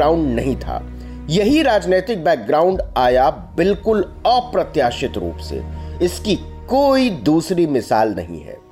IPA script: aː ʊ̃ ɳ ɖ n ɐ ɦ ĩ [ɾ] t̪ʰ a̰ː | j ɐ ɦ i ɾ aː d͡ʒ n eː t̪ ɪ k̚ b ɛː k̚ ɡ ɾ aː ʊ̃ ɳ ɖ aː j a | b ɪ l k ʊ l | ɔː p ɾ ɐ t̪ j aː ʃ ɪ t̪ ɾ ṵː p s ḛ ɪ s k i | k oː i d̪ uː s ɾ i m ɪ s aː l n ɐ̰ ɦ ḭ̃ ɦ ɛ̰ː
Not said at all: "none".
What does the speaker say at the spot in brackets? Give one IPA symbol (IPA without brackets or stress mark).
none